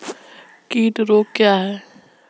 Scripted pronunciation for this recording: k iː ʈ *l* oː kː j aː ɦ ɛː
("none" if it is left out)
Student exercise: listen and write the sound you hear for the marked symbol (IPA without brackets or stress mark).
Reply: ɾ